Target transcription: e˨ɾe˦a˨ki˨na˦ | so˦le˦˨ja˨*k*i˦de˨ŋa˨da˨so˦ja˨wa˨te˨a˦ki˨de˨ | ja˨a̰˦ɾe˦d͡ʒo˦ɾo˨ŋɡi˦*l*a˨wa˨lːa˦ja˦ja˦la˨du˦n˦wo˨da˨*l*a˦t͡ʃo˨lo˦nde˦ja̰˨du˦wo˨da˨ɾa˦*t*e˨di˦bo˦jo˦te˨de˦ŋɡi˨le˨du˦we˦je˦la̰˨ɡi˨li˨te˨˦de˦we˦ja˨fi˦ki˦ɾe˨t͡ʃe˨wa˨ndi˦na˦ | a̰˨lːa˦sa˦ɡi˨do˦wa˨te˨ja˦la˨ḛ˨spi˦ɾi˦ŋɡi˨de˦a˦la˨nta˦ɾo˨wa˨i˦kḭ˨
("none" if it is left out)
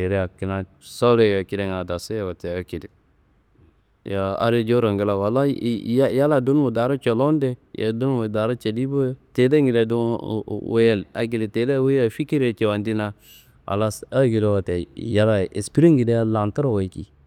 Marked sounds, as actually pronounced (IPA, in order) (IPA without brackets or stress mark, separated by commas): k, l, ɾ, t͡ʃ